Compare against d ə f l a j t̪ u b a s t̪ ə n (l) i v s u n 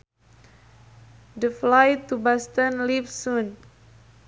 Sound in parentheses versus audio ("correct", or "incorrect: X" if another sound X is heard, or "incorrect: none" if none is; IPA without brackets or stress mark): correct